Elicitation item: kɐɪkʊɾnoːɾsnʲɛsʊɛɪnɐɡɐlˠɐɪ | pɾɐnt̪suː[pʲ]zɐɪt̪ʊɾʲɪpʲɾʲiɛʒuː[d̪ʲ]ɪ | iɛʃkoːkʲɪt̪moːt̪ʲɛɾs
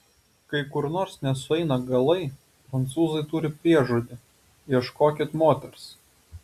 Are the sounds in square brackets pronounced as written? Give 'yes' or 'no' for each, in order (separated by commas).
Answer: no, yes